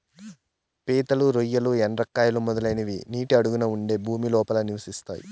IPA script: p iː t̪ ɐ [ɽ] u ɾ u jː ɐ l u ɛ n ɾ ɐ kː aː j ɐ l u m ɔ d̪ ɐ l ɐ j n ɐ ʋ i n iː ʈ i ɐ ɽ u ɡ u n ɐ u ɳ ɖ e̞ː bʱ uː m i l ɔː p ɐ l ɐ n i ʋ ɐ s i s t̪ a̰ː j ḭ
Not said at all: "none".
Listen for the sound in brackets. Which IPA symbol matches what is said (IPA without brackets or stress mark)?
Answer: l